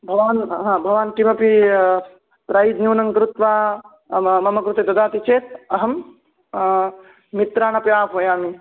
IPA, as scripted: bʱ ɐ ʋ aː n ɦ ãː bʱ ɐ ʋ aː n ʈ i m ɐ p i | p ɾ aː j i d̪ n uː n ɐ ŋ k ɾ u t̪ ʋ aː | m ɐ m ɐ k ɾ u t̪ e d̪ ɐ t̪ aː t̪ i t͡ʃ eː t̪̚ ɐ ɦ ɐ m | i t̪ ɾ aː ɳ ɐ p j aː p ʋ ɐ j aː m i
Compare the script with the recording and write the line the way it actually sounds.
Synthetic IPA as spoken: bʱ ɐ ʋ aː n ɦ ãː bʱ ɐ ʋ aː n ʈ i m ɐ p i | p ɾ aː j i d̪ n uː n ɐ ŋ k ɾ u t̪ ʋ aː | m ɐ m ɐ k ɾ u t̪ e d̪ ɐ d̪ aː t̪ i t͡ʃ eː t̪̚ ɐ ɦ ɐ m | i t̪ ɾ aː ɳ ɐ p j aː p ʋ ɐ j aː m i

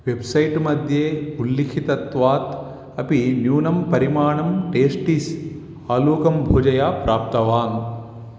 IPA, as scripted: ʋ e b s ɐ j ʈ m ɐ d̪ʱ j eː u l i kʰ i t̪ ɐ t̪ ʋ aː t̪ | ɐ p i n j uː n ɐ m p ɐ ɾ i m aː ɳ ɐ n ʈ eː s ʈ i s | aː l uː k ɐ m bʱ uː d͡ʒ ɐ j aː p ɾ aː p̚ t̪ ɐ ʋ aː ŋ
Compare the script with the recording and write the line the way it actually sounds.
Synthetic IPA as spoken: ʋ e b s ɐ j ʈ m ɐ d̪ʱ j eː u lː i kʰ i t̪ ɐ t̪ ʋ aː t̪ | ɐ p i n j uː n ɐ m p ɐ ɾ i m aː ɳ ɐ m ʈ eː s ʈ i s | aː l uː k ɐ m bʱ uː d͡ʒ ɐ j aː p ɾ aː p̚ t̪ ɐ ʋ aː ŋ

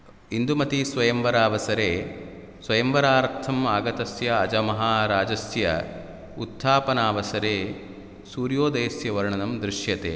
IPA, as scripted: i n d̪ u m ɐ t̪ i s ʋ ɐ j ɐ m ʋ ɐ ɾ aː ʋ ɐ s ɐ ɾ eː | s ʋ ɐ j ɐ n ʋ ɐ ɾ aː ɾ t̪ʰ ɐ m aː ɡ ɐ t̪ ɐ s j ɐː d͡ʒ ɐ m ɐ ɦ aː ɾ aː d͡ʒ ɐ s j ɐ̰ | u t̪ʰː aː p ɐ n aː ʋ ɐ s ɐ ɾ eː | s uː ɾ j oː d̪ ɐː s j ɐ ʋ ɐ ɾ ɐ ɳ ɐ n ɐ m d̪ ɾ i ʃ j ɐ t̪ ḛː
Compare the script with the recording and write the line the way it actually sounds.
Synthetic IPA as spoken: i n d̪ u m ɐ t̪ i s ʋ ɐ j ɐ m ʋ ɐ ɾ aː ʋ ɐ s ɐ ɾ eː | s ʋ ɐ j ɐ m ʋ ɐ ɾ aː ɾ t̪ʰ ɐ m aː ɡ ɐ t̪ ɐ s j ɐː d͡ʒ ɐ m ɐ ɦ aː ɾ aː d͡ʒ ɐ s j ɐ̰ | u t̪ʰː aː p ɐ n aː ʋ ɐ s ɐ ɾ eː | s uː ɾ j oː d̪ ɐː s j ɐ ʋ ɐ ɾ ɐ ɳ ɐ n ɐ m d̪ ɾ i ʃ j ɐ t̪ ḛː

